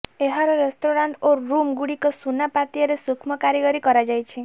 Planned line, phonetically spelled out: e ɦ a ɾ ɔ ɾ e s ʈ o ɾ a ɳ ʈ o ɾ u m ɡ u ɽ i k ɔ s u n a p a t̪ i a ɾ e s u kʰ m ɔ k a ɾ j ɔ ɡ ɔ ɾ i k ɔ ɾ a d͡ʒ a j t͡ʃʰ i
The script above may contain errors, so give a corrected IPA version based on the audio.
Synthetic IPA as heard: e ɦ a ɾ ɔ ɾ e s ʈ o ɾ a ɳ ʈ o ɾ u m ɡ u ɽ i k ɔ s u n a p a t̪ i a ɾ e s u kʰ m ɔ k a ɾ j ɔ ɡ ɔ ɾ i k ɔ ɾ a d͡ʒ a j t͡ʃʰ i